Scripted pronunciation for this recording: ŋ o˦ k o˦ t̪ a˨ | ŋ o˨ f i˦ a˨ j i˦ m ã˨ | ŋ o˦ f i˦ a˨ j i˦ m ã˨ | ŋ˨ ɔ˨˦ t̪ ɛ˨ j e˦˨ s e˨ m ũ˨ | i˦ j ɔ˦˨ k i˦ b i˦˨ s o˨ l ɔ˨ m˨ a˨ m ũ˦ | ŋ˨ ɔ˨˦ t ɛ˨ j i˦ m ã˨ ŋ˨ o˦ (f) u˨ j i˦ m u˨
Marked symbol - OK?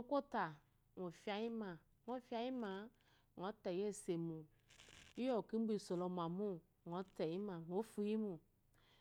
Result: yes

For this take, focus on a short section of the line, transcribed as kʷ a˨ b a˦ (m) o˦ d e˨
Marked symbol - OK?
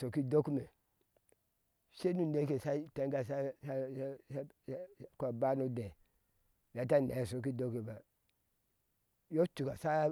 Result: no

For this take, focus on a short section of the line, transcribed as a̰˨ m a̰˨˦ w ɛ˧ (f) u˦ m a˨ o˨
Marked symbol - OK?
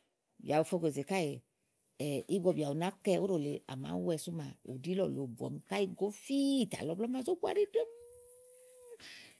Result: no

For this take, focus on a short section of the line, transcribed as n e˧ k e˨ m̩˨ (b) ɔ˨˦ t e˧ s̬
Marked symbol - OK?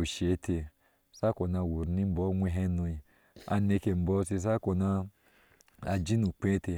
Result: yes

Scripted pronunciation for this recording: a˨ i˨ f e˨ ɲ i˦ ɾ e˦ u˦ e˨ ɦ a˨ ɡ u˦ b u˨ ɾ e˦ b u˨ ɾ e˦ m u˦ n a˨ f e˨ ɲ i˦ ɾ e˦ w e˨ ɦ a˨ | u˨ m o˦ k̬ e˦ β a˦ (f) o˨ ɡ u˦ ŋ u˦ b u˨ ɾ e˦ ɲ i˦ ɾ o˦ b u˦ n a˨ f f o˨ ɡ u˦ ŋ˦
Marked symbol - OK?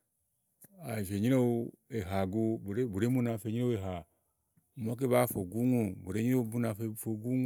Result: yes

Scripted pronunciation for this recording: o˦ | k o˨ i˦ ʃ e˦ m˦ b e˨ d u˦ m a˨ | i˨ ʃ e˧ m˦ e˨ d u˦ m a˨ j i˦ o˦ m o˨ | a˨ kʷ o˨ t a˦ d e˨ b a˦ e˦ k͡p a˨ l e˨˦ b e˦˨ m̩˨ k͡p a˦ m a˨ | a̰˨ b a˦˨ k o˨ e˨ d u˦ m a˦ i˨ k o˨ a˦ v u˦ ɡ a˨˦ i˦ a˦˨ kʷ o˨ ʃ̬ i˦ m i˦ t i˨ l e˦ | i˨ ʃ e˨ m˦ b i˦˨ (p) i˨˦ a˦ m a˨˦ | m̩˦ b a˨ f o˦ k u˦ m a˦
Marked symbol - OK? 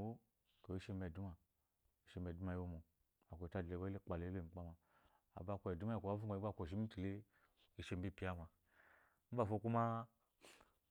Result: yes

